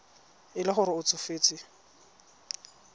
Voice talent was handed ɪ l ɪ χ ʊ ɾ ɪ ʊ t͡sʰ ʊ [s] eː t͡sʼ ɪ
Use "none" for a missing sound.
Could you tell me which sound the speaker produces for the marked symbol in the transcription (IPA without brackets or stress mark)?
f